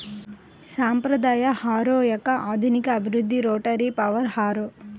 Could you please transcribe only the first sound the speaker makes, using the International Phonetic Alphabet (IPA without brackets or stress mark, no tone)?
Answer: s